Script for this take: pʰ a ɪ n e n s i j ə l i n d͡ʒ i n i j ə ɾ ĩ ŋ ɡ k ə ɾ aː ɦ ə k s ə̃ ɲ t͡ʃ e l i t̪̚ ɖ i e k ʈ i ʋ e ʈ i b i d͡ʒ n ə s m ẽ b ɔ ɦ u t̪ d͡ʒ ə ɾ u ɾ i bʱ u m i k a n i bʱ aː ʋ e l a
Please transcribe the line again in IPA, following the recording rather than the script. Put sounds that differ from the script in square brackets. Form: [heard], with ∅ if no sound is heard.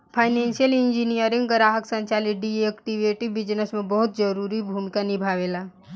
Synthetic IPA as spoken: pʰ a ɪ n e n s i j ə l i n d͡ʒ i n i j ə ɾ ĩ ŋ ɡ [ɡ] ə ɾ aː ɦ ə k s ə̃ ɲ t͡ʃ [a] l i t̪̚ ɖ i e k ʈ i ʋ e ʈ i b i d͡ʒ n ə s m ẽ b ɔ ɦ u t̪ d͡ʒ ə ɾ u ɾ i bʱ u m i k a n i bʱ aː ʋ e l a